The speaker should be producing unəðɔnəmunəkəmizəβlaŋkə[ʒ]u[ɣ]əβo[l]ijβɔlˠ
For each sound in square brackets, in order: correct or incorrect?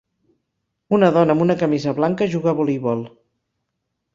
correct, correct, correct

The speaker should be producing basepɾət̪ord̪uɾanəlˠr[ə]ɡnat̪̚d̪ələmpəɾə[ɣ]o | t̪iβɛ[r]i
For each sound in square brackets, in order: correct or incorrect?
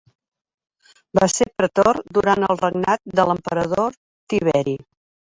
correct, incorrect: ð, incorrect: ɾ

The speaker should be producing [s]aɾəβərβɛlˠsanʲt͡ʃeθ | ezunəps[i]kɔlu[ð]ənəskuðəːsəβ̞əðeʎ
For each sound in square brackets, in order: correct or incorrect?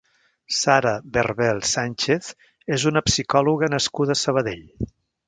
correct, correct, incorrect: ɣ

